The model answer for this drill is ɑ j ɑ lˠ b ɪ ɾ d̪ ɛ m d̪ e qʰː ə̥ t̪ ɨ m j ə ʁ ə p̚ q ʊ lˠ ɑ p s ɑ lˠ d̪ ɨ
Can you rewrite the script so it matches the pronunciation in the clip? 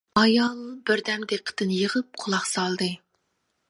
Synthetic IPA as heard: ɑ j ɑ lˠ b ɪ ɾ d̪ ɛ m d̪ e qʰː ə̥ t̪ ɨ n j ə ʁ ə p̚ qʰ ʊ lˠ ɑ q s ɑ lˠ d̪ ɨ